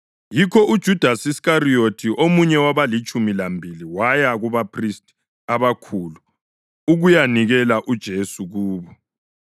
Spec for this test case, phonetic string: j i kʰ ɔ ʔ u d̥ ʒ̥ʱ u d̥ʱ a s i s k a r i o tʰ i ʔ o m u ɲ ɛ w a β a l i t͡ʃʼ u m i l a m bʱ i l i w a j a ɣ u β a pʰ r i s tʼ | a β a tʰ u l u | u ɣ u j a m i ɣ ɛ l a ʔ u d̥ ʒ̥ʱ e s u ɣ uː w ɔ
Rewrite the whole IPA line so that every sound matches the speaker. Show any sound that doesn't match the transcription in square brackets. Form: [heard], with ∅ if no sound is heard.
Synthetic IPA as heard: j i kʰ ɔ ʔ u d̥ ʒ̥ʱ u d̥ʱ a s i s k a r i o tʰ i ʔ o m u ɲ ɛ w a β a l i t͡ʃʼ u m i l a m bʱ i l i w a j a ɣ u β a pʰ r i s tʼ | a β a [kʰ] u l u | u ɣ u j a [n] i ɣ ɛ l a ʔ u d̥ ʒ̥ʱ e s u ɣ uː [β] ɔ